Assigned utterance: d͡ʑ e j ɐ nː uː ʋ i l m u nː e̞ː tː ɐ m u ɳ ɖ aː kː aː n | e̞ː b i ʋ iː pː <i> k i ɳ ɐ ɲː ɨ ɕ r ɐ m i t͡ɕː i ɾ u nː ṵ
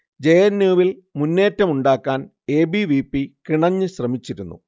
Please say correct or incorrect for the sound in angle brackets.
correct